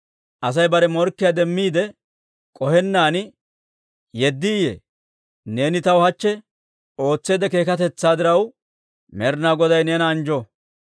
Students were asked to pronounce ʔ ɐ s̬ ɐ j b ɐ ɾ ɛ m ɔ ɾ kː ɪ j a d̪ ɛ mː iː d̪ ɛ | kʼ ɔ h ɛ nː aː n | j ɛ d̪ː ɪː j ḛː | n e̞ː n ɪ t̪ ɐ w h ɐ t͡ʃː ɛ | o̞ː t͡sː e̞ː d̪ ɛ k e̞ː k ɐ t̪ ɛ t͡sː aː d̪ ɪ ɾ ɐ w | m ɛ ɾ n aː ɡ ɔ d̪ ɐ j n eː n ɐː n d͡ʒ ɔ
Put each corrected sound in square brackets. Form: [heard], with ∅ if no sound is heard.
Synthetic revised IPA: ʔ ɐ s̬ ɐ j b ɐ ɾ ɛ m ɔ ɾ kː ɪ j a d̪ ɛ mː iː d̪ ɛ | kʼ ɔ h ɛ nː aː n | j ɛ d̪ː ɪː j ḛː | n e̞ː n ɪ t̪ ɐ w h ɐ t͡ʃː ɛ | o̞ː t͡sː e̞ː d̪ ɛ k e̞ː k ɐ t̪ ɛ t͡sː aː d̪ ɪ ɾ ɐ w | m ɛ ɾ n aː ɡ ɔ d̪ ɐ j n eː n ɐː n d͡ʒ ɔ